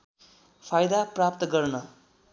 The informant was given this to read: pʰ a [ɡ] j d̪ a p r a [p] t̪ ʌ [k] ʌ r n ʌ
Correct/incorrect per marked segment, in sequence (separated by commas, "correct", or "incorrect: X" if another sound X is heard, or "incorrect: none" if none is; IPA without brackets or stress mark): incorrect: none, correct, incorrect: ɡ